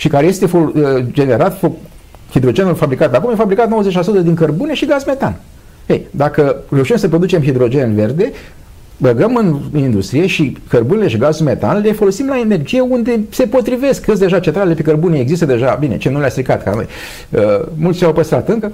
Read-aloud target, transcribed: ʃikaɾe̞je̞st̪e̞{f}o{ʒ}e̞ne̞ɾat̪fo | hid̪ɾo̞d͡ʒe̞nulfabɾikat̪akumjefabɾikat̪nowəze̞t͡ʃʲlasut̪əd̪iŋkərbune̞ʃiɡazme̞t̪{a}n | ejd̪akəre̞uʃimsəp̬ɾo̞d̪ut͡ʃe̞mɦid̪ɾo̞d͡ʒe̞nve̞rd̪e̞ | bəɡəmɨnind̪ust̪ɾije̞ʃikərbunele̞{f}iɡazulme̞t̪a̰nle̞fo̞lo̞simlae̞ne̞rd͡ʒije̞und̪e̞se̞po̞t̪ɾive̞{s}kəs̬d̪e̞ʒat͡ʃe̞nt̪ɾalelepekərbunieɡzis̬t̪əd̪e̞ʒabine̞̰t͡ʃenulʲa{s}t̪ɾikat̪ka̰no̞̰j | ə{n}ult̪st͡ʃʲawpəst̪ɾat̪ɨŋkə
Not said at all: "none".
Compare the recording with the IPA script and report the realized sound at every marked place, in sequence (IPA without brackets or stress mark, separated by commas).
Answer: f, d͡ʒ, a, ʃ, s, s, m